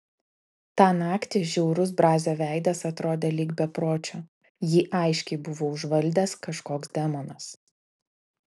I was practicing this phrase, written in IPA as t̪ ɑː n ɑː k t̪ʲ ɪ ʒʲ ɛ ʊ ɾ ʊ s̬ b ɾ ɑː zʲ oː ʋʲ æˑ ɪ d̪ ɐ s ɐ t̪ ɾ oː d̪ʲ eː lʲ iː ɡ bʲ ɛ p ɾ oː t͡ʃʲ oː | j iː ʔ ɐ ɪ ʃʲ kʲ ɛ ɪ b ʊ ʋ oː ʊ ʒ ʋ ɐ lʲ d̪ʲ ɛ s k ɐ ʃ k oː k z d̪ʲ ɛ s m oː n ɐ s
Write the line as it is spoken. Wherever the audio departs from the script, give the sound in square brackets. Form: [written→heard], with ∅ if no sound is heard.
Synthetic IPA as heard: t̪ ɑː n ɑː k t̪ʲ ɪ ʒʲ ɛ ʊ ɾ ʊ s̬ b ɾ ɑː zʲ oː ʋʲ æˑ ɪ d̪ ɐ s ɐ t̪ ɾ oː d̪ʲ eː lʲ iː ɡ bʲ ɛ p ɾ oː t͡ʃʲ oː | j iː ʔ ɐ ɪ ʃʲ kʲ ɛ ɪ b ʊ ʋ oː ʊ ʒ ʋ ɐ lʲ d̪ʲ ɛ s k ɐ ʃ k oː k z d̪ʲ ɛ [s→∅] m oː n ɐ s